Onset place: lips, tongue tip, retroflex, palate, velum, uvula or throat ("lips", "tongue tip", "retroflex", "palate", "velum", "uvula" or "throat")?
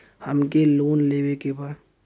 throat